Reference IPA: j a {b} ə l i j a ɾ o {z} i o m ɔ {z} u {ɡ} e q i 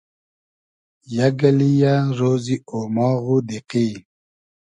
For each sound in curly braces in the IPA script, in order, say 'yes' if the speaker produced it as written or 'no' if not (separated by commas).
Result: no, yes, no, no